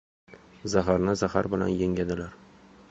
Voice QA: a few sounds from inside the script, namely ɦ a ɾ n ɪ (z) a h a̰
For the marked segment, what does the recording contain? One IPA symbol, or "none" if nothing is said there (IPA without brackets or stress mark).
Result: z